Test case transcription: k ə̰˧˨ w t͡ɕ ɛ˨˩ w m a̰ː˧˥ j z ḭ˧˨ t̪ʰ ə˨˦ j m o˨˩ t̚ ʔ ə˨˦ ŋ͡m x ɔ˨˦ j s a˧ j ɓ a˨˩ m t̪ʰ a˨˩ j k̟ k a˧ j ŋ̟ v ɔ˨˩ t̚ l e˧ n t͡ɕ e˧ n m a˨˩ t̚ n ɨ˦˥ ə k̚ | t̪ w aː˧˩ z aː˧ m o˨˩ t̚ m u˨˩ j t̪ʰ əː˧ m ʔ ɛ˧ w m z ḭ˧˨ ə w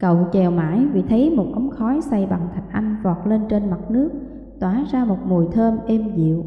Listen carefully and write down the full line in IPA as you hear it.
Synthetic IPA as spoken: k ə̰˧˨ w t͡ɕ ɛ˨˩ w m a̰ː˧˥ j v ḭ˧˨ t̪ʰ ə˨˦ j m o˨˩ t̚ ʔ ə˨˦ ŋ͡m x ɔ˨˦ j s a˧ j ɓ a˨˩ ŋ t̪ʰ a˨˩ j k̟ ʔ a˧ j ŋ̟ v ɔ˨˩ t̚ l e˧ n t͡ɕ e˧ n m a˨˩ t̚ n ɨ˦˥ ə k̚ | t̪ w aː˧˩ z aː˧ m o˨˩ t̚ m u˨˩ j t̪ʰ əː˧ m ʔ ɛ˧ m z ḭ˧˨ ə w

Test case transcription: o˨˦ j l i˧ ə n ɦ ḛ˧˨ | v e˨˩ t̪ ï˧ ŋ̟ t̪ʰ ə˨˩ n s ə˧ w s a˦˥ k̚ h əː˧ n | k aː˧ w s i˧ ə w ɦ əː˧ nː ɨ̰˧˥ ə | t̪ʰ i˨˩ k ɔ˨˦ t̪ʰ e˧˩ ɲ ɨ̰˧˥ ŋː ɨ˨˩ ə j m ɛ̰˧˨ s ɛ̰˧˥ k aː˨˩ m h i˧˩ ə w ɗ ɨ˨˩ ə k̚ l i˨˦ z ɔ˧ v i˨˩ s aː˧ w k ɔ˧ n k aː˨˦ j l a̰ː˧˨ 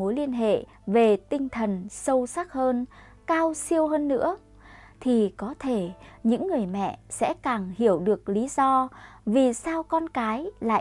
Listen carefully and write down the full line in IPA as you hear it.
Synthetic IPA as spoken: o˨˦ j l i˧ ə n ɦ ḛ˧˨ | v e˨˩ t̪ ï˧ ŋ̟ t̪ʰ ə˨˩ n s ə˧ w s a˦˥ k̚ h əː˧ n | k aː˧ w s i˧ ə w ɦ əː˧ nː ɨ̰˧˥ ə | t̪ʰ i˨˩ k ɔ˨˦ t̪ʰ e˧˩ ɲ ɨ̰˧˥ ŋː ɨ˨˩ ə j m ɛ̰˧˨ s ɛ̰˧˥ k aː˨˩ ŋ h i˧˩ ə w ɗ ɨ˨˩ ə k̚ l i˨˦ z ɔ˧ v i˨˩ s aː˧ w k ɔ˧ n k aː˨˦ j l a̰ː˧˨

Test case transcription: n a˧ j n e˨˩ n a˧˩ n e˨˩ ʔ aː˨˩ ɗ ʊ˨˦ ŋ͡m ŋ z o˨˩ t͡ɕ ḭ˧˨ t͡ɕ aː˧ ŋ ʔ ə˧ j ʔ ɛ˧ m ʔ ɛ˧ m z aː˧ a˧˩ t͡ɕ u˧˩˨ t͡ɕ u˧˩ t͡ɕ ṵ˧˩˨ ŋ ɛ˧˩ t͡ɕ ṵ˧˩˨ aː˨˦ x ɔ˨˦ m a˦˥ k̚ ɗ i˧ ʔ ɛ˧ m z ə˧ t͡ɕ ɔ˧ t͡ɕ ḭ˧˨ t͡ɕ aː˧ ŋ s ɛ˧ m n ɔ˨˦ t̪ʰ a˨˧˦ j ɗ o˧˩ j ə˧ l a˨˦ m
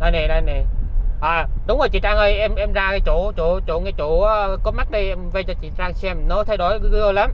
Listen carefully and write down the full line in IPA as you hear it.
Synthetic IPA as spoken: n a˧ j n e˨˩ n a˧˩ n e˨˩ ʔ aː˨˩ ɗ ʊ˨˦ ŋ͡m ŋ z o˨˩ t͡ɕ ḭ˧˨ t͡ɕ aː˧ ŋ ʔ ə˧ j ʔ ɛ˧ m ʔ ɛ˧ m z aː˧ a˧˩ t͡ɕ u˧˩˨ t͡ɕ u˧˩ t͡ɕ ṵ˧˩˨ ŋ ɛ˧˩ t͡ɕ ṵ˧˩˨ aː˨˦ k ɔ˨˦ m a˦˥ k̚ ɗ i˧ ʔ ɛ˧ m v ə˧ t͡ɕ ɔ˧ t͡ɕ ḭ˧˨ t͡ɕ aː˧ ŋ s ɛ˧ m n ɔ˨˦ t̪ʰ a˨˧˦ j ɗ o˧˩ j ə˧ l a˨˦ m

